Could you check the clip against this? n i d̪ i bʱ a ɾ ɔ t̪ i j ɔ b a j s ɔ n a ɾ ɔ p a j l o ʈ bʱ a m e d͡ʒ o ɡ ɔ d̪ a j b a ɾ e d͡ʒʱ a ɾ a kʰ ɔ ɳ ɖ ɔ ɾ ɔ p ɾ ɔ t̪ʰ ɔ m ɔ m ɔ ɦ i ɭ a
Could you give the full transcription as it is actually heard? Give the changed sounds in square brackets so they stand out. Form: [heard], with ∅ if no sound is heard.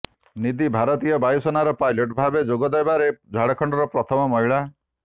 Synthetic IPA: n i d̪ i bʱ a ɾ ɔ t̪ i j ɔ b a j s ɔ n a ɾ ɔ p a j l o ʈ bʱ a [b] e d͡ʒ o ɡ ɔ d̪ a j b a ɾ e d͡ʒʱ a [ɽ] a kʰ ɔ ɳ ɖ ɔ ɾ ɔ p ɾ ɔ t̪ʰ ɔ m ɔ m ɔ ɦ i ɭ a